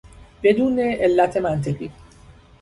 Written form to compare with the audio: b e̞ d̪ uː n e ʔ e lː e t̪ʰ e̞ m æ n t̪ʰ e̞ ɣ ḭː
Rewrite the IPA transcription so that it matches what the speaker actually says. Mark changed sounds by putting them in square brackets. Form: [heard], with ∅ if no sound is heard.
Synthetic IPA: b e̞ d̪ uː n e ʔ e lː [æ] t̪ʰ e̞ m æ n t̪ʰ e̞ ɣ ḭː